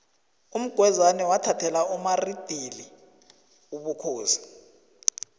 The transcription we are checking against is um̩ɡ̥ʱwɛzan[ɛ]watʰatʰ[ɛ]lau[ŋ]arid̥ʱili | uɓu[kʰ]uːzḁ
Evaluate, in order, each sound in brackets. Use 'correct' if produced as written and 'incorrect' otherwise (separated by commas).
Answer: correct, correct, incorrect, correct